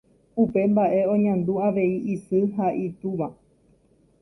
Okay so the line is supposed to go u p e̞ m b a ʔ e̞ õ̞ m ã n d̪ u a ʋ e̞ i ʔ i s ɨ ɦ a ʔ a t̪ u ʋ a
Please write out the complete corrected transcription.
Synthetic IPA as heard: u p e̞ m b a ʔ e̞ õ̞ ɲ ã n d̪ u a ʋ e̞ i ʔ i s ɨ ɦ a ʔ i t̪ u ʋ a